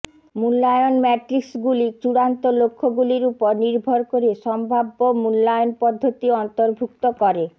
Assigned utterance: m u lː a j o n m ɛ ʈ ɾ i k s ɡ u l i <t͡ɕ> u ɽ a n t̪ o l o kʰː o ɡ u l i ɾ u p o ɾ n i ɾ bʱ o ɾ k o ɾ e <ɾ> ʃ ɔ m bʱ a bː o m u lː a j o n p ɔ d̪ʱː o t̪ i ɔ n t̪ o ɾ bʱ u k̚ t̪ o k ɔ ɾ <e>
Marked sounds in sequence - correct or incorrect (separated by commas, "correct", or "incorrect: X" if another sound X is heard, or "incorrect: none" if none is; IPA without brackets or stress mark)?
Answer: correct, incorrect: none, correct